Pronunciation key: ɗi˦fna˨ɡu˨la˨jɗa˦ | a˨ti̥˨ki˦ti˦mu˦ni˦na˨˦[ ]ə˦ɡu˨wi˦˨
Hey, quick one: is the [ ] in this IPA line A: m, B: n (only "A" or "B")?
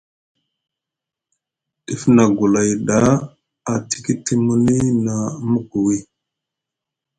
A